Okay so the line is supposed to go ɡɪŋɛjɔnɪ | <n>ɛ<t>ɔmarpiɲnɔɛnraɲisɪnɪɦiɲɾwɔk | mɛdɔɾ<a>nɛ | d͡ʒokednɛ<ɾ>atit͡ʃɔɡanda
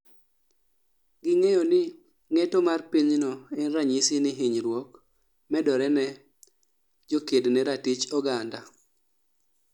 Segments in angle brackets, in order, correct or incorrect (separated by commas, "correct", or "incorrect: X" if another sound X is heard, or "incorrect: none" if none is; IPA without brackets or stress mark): incorrect: ŋ, correct, incorrect: ɛ, correct